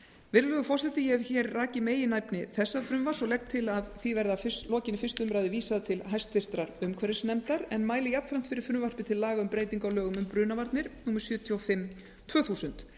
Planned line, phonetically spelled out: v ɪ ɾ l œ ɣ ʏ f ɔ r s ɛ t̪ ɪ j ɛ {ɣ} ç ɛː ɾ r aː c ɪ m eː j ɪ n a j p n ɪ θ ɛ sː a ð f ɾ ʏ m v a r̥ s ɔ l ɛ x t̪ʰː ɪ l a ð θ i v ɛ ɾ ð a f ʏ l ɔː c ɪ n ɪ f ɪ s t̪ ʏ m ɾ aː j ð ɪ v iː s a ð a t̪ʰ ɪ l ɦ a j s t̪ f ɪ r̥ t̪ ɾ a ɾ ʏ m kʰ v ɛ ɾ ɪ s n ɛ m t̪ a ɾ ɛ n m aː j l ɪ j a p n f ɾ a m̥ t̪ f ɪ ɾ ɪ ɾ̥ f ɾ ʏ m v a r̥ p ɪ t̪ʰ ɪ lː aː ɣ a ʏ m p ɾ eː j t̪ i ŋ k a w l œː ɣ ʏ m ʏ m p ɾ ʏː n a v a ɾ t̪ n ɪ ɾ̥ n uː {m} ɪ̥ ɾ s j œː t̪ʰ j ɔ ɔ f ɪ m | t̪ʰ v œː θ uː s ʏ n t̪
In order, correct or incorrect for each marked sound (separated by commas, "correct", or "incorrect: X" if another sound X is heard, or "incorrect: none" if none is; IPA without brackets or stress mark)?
incorrect: v, correct